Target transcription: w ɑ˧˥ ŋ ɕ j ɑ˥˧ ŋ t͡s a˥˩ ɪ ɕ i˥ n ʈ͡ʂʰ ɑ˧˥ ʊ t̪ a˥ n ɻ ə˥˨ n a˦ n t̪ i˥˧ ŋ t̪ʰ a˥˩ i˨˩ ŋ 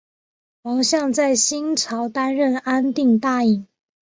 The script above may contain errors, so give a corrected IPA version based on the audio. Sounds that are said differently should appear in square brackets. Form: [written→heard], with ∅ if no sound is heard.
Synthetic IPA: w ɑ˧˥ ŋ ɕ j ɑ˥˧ ŋ t͡s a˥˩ ɪ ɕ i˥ n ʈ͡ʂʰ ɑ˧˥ ʊ t̪ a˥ n ɻ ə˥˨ n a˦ n t̪ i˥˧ ŋ [t̪ʰ→t̪] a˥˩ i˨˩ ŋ